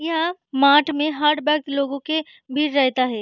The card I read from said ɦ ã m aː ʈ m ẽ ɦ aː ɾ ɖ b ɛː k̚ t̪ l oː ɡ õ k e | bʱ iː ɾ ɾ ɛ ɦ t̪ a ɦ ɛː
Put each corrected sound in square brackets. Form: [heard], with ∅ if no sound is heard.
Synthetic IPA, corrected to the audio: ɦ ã m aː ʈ m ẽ ɦ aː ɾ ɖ b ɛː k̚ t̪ l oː ɡ õ k e | bʱ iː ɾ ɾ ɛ ɦ t̪ a ɦ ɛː

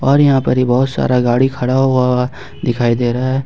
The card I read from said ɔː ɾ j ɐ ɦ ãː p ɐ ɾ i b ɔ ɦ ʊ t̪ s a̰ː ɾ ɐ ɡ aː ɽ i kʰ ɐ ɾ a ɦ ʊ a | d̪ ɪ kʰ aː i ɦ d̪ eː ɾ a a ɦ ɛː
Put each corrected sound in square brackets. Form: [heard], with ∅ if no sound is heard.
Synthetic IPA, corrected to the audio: ɔː ɾ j ɐ ɦ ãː p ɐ ɾ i b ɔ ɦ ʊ t̪ s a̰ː ɾ [a] ɡ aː ɽ i kʰ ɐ [ɽ] a ɦ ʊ a | d̪ ɪ kʰ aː i [∅] d̪ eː ɾ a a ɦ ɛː

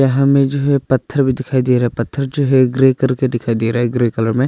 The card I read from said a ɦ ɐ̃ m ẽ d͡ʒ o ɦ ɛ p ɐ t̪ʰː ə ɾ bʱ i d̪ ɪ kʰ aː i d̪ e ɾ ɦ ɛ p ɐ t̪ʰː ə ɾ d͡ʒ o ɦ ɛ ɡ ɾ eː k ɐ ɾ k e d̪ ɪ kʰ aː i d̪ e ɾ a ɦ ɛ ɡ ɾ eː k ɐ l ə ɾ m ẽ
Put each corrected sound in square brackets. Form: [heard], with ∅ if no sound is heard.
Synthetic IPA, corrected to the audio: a ɦ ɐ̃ m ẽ d͡ʒ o ɦ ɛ p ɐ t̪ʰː ə ɾ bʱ i d̪ ɪ kʰ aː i d̪ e ɾ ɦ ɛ p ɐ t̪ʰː ə ɾ d͡ʒ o ɦ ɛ ɡ ɾ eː k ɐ ɾ k e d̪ ɪ kʰ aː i d̪ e ɾ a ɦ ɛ ɡ ɾ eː k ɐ l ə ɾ m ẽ

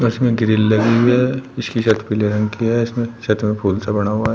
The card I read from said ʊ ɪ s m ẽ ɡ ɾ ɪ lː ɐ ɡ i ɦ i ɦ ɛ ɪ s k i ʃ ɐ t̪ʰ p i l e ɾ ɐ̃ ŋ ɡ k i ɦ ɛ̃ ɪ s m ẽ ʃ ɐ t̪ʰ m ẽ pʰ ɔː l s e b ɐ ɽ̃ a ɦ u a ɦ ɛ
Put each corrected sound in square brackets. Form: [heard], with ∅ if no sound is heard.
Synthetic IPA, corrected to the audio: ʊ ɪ s m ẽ ɡ ɾ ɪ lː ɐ ɡ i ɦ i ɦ ɛ ɪ s k i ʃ ɐ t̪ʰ p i l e ɾ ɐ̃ ŋ ɡ k i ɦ [ɛ] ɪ s m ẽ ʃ ɐ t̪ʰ m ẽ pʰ [uː] l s [a] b ɐ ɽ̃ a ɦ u a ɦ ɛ

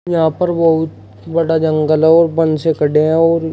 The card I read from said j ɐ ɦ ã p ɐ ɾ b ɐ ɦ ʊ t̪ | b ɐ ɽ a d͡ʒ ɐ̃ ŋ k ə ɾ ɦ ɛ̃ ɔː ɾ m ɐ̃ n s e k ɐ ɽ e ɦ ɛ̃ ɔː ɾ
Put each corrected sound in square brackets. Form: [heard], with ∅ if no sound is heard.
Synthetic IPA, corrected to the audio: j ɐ ɦ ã p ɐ ɾ b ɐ ɦ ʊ t̪ | b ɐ ɽ a d͡ʒ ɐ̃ ŋ [ɡ] ə [l] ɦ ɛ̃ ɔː ɾ [b] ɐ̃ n s e k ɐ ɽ e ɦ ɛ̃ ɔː ɾ

